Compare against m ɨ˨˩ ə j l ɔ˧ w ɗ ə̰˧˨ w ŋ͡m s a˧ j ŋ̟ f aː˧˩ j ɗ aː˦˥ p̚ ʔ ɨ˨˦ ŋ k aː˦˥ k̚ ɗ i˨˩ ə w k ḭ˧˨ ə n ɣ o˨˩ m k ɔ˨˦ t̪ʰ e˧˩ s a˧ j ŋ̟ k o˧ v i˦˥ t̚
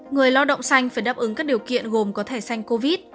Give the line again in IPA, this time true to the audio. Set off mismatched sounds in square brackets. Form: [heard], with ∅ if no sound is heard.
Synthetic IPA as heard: [ŋ] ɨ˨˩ ə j l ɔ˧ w ɗ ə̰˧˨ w ŋ͡m s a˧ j ŋ̟ f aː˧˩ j ɗ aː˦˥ p̚ ʔ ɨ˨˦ ŋ k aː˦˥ k̚ ɗ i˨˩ ə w k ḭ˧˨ ə n ɣ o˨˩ m k ɔ˨˦ t̪ʰ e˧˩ s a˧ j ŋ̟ k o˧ v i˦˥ t̚

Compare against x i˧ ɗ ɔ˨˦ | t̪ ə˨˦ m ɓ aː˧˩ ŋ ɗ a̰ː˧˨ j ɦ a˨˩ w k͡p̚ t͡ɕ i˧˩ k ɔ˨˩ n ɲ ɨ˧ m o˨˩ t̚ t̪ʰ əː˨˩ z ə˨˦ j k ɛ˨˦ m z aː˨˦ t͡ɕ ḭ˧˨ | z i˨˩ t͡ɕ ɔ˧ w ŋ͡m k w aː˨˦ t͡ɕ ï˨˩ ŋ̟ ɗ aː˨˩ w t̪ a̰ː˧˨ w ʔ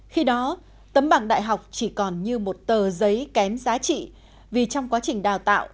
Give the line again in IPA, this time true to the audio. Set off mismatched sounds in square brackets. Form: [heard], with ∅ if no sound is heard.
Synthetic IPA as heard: x i˧ ɗ ɔ˨˦ | t̪ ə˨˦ m ɓ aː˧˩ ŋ ɗ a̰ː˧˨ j ɦ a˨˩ w k͡p̚ t͡ɕ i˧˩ k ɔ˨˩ n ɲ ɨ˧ m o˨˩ t̚ [t̪] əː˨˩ z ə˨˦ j k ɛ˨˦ m z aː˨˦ t͡ɕ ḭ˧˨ | [v] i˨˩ t͡ɕ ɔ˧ w ŋ͡m k w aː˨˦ t͡ɕ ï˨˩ ŋ̟ ɗ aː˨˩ w t̪ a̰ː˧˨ w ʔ

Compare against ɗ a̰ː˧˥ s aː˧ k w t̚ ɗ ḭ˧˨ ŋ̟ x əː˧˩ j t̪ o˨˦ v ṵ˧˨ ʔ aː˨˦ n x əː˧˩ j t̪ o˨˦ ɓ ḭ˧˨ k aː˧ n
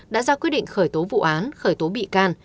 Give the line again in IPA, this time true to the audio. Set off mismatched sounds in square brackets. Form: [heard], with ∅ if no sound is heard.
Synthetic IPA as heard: ɗ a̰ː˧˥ [z] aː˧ k w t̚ ɗ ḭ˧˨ ŋ̟ x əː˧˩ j t̪ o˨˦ v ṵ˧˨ ʔ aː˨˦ n x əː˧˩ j t̪ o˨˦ ɓ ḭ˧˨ k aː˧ n

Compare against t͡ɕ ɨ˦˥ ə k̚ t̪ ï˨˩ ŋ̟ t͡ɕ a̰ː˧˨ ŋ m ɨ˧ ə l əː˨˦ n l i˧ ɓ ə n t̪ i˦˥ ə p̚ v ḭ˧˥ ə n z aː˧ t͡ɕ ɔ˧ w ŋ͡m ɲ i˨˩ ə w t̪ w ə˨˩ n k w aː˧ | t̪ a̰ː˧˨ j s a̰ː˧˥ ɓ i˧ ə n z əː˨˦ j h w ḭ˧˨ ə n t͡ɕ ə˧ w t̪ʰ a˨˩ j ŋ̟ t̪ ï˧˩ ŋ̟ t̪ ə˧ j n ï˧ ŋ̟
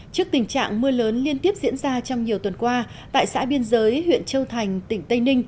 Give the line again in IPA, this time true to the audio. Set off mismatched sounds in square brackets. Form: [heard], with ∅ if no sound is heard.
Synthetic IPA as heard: t͡ɕ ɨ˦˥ ə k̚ t̪ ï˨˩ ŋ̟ t͡ɕ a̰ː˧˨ ŋ m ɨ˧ ə l əː˨˦ n l i˧ [∅] ə n t̪ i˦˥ ə p̚ [z] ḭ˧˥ ə n z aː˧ t͡ɕ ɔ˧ w ŋ͡m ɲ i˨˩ ə w t̪ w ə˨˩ n k w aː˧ | t̪ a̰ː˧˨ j s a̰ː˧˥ ɓ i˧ ə n z əː˨˦ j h w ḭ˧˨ ə n t͡ɕ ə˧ w t̪ʰ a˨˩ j ŋ̟ t̪ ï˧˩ ŋ̟ t̪ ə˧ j n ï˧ ŋ̟

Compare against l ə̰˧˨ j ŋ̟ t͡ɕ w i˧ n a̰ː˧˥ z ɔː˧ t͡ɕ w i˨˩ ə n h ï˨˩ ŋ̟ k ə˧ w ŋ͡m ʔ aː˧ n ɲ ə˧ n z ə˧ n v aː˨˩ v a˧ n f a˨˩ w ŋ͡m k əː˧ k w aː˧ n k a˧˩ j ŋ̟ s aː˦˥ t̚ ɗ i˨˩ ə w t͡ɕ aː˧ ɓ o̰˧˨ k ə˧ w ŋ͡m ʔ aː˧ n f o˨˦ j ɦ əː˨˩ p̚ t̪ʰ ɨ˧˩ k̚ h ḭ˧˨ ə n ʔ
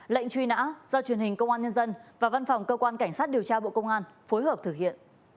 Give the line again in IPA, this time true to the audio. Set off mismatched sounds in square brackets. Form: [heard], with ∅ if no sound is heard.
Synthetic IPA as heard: l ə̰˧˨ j ŋ̟ t͡ɕ w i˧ n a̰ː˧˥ z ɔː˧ t͡ɕ w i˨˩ ə n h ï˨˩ ŋ̟ k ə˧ w ŋ͡m ʔ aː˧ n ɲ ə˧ n z ə˧ n v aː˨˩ v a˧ n f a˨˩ w ŋ͡m k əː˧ k w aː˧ n k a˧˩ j ŋ̟ s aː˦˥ t̚ ɗ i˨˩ ə w t͡ɕ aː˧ ɓ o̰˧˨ k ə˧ w ŋ͡m ʔ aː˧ n f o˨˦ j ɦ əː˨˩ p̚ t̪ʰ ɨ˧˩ k̚ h ḭ˧˨ ə n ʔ

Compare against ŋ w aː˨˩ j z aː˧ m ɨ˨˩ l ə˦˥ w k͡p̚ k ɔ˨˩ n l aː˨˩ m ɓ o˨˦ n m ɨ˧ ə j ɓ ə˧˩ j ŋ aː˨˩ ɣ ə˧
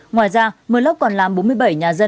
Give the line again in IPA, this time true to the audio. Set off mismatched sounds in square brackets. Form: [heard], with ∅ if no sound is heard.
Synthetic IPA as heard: ŋ w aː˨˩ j z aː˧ m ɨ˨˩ l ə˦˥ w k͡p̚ k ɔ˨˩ n l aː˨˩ m ɓ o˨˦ n m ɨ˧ ə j ɓ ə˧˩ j [ɲ] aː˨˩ [z] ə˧

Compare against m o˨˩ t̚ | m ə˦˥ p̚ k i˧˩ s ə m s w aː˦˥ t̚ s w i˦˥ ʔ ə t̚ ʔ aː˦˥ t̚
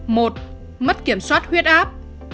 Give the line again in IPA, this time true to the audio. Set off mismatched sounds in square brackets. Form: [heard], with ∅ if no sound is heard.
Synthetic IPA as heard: m o˨˩ t̚ | m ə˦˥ [t̚] k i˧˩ [∅] ə m s w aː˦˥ t̚ [h] w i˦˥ [∅] ə t̚ ʔ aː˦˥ [p̚]

